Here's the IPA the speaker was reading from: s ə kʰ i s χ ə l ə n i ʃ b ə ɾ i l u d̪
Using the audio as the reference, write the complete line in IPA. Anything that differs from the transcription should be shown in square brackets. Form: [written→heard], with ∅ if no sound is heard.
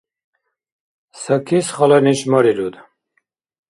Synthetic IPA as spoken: s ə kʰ i s χ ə l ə n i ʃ [b→m] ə ɾ i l u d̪

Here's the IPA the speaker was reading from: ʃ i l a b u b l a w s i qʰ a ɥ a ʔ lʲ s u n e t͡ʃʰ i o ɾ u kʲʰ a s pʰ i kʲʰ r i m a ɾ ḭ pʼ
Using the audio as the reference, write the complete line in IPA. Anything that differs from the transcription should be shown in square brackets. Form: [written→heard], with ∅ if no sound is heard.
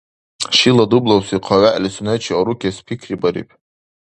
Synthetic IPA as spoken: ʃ i l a [b→d] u b l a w s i qʰ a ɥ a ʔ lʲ s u n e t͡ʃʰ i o ɾ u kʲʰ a s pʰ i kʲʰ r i [m→b] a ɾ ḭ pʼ

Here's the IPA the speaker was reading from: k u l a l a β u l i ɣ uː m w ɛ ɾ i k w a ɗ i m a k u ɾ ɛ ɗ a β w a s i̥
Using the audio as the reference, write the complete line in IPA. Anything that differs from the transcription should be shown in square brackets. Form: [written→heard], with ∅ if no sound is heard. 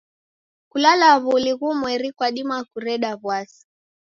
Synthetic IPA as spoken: k u l a l a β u l i ɣ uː m w ɛ ɾ i k w a ɗ i m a k u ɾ ɛ ɗ a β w a s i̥

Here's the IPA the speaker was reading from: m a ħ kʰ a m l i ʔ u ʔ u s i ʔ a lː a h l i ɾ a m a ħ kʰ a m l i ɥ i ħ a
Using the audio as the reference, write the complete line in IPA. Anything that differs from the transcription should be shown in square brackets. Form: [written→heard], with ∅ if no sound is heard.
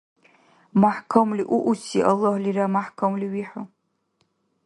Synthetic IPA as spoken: m a ħ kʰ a m l i ʔ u ʔ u s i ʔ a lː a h l i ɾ a m a ħ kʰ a m l i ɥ i ħ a

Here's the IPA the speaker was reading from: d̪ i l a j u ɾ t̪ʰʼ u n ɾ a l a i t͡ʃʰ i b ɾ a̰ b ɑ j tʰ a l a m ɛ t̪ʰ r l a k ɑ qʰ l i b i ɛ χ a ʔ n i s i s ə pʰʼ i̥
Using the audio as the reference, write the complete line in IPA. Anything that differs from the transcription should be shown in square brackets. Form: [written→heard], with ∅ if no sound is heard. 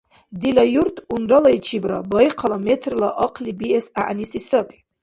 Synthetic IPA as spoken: d̪ i l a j u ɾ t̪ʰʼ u n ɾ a l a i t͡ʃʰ i b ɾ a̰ b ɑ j [tʰ→qʰ] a l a m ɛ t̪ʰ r l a [k→ʔ] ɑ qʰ l i b i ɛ [χ→s] a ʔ n i s i s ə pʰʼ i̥

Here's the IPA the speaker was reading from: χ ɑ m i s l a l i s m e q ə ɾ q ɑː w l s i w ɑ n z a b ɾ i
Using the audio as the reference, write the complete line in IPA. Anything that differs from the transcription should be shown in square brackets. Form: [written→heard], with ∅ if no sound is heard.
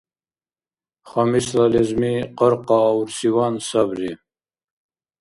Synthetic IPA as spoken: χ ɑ m i s l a l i [s→z] m [e→i] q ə ɾ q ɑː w [l→ɾ] s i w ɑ n [z→s] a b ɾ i

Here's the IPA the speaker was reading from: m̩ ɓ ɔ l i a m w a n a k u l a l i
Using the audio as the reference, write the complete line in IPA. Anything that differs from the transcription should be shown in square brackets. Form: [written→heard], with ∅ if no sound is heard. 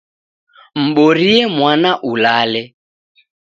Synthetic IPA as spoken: m̩ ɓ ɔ [l→ɾ] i [a→ɛ] m w a n a [k→ʔ] u l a l [i→ɛ]

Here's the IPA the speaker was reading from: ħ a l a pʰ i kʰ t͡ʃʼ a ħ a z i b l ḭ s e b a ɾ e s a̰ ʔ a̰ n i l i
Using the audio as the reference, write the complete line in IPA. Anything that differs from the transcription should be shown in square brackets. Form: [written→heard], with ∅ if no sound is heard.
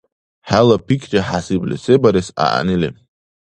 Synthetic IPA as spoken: ħ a l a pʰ i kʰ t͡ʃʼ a ħ a [z→s] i b l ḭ s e b a ɾ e s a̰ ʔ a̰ n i l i

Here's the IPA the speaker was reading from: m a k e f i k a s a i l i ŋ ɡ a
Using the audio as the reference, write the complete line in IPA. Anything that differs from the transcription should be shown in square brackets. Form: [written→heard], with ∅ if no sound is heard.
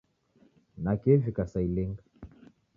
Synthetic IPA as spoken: [m→n] a k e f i k a s a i l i ŋ ɡ a

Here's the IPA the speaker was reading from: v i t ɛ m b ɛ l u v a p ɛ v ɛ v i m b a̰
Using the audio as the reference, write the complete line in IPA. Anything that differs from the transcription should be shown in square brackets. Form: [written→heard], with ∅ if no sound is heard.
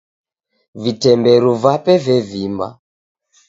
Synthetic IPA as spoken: v i t ɛ m b ɛ [l→ɾ] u v a p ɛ v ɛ v i m b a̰

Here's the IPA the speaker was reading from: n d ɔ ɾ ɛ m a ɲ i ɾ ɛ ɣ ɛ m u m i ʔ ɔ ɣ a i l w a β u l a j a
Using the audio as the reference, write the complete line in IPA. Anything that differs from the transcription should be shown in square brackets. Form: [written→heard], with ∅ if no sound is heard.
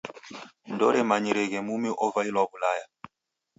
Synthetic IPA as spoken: n d ɔ ɾ ɛ m a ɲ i ɾ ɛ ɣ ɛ m u m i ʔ ɔ [ɣ→v] a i l w a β u l a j a

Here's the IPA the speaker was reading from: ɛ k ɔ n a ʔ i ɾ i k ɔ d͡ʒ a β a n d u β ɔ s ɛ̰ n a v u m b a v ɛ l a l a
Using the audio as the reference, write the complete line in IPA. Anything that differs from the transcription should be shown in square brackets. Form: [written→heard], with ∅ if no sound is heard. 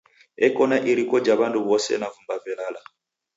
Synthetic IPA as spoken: ɛ k ɔ n a ʔ i ɾ i k ɔ d͡ʒ a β a n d u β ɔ s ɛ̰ n a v u m b a v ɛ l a l a

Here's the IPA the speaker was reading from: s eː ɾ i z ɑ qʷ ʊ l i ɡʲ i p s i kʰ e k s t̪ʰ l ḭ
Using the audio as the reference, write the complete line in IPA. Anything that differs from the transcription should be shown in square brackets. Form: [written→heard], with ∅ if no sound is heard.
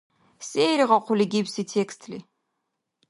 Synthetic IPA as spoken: s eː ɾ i [z→ʁ] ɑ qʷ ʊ l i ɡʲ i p s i [kʰ→tʰ] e k s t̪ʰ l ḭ

